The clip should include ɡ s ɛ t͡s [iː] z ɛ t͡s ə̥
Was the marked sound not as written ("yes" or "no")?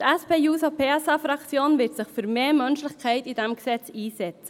no